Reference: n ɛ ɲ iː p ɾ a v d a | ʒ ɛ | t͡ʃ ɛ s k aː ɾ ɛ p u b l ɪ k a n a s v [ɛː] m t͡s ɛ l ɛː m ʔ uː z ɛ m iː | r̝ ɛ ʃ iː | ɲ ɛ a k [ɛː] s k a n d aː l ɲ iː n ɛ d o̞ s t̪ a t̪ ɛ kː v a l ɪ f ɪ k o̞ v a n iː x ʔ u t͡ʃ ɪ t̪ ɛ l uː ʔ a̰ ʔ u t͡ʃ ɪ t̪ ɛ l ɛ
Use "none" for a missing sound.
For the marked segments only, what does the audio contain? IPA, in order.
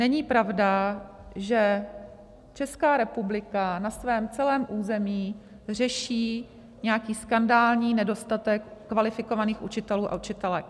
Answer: ɛː, iː

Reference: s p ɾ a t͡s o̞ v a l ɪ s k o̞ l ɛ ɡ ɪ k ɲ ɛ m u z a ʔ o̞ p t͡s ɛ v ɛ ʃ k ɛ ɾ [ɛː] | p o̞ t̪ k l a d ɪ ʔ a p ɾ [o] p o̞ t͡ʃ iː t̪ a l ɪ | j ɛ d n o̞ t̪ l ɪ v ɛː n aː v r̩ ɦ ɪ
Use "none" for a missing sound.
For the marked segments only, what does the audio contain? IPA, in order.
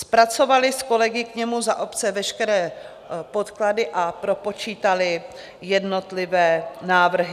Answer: ɛː, o

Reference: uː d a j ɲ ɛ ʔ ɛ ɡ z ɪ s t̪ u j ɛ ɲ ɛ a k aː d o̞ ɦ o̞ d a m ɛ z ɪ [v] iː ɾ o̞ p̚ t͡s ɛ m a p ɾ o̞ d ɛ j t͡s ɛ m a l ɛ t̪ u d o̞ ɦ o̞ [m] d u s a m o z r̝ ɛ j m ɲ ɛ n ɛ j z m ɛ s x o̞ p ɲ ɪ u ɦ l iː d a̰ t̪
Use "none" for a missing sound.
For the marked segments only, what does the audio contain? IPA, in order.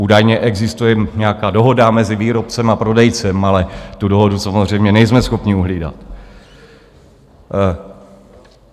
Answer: v, none

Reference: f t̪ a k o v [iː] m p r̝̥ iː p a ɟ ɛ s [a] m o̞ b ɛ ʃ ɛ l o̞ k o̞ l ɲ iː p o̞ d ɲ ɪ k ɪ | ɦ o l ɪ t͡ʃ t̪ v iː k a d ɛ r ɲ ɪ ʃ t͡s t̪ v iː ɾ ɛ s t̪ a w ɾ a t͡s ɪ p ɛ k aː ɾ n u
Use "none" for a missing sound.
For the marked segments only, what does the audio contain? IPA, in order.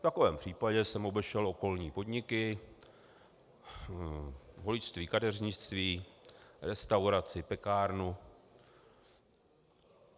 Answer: ɛː, ɛ

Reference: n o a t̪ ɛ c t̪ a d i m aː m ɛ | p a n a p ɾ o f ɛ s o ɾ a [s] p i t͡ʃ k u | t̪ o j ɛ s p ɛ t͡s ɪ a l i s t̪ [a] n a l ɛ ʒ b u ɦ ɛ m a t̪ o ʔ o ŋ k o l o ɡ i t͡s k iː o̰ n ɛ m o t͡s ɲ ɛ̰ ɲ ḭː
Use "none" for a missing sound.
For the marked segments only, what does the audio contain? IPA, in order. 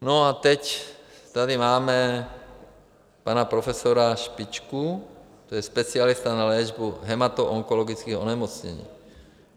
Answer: ʃ, a

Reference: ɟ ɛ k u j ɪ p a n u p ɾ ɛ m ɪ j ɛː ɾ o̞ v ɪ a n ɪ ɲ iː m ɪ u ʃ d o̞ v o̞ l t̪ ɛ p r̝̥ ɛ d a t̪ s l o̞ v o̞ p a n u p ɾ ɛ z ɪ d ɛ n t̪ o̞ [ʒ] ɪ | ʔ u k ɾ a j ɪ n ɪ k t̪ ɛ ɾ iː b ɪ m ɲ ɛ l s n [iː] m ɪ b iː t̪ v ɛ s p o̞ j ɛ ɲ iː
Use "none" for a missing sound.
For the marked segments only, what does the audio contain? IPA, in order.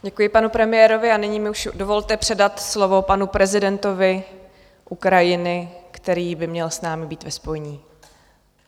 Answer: v, aː

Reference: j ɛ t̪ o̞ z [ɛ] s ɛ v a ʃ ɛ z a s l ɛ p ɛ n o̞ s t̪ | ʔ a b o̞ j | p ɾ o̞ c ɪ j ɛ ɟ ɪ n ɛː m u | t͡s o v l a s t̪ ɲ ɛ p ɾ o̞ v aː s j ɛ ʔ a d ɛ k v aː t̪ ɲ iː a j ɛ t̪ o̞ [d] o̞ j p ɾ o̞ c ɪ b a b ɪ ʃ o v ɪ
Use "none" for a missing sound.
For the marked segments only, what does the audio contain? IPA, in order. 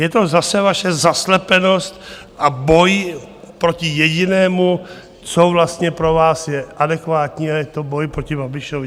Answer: a, b

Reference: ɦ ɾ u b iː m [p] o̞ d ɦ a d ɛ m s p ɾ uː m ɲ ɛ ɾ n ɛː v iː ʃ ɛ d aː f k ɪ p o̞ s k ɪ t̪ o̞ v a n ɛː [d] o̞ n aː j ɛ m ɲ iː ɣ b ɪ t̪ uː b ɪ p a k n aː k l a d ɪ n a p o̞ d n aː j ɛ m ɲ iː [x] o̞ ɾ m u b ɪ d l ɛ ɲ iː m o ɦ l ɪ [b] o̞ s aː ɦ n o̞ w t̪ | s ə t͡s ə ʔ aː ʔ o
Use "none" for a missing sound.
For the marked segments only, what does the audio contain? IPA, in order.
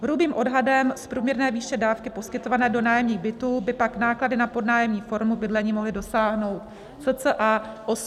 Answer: ʔ, d, f, d

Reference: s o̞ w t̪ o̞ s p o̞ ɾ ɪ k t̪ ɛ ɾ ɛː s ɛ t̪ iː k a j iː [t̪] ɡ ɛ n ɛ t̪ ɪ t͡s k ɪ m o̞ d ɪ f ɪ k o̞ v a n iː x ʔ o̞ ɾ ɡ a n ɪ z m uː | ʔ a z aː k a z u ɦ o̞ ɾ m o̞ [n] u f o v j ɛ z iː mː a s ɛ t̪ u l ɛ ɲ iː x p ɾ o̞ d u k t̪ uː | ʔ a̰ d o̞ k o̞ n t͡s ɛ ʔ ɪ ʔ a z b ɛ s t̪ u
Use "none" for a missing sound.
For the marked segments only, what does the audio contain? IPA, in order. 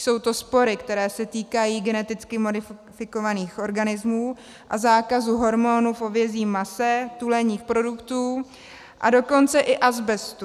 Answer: none, n

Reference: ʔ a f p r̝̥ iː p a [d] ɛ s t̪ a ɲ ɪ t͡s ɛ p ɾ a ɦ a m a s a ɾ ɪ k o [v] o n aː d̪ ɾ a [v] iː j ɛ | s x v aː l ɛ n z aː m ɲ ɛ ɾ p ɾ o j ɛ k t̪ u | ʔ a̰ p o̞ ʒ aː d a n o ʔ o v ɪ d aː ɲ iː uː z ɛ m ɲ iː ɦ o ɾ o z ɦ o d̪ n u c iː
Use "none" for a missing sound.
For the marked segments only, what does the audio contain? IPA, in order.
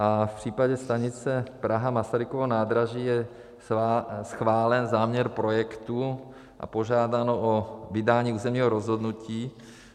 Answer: ɟ, v, ʒ

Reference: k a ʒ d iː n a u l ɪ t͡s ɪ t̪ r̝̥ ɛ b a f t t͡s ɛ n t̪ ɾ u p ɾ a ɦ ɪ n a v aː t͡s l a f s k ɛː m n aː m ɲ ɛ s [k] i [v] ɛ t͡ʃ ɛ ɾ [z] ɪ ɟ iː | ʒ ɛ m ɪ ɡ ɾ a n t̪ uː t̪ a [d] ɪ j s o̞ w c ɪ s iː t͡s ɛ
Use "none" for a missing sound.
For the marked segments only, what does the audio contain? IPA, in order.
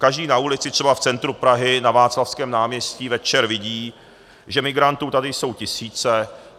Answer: c, v, v, d

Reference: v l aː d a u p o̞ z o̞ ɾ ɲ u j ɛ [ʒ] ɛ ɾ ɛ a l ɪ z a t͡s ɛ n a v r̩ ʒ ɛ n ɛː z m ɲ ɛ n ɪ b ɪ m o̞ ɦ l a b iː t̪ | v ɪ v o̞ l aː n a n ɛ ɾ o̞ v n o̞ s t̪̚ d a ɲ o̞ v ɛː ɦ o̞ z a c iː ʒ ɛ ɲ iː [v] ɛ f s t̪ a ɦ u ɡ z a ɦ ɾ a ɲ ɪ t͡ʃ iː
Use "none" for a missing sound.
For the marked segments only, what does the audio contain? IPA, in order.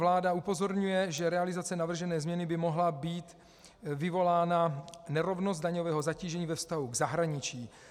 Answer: ʒ, v

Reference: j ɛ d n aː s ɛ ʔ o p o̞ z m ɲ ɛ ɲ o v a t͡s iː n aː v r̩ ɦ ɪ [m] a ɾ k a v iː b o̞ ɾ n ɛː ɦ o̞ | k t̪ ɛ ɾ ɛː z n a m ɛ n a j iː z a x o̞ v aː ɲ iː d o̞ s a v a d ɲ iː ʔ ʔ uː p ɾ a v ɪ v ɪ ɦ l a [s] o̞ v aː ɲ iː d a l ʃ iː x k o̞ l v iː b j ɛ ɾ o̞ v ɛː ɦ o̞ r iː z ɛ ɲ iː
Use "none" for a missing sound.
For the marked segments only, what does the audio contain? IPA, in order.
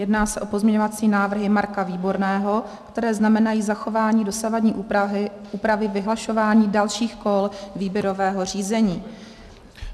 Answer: m, ʃ

